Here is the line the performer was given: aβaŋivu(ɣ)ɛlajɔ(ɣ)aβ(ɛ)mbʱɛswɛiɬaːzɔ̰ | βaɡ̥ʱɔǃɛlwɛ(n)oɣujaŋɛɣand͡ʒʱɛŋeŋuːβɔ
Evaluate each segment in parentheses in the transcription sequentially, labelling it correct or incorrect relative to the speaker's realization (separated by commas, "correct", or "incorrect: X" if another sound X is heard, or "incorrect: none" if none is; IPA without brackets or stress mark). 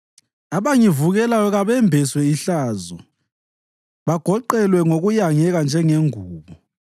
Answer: correct, correct, correct, incorrect: ŋ